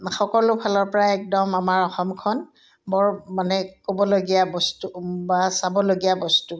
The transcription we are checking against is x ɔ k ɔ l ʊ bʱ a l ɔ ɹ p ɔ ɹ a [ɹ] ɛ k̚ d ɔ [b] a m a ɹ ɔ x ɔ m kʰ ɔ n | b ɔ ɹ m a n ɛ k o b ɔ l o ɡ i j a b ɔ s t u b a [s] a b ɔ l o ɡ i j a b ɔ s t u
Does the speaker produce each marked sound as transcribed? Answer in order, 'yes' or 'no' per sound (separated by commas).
no, no, yes